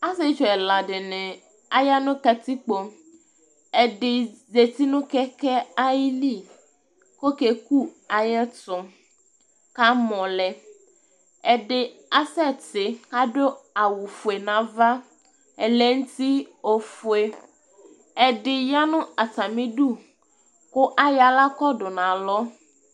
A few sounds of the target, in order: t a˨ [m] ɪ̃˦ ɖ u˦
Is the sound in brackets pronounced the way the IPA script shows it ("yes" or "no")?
yes